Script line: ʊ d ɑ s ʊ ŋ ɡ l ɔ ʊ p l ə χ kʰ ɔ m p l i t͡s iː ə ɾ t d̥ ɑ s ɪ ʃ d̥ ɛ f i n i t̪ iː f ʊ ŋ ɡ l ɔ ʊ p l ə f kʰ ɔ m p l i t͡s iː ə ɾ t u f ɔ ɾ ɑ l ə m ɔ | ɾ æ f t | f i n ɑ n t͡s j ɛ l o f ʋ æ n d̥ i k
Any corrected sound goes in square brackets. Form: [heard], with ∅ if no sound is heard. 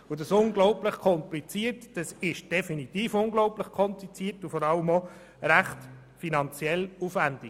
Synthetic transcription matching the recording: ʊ d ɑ s ʊ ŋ ɡ l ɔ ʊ p l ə χ kʰ ɔ m p l i t͡s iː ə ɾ t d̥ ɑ s ɪ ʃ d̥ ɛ f i n i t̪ iː f ʊ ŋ ɡ l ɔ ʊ p l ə [χ] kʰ ɔ m p l i t͡s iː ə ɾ t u f ɔ ɾ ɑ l ə m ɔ | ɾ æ [χ] t | f i n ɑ n t͡s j ɛ l [u] f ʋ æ n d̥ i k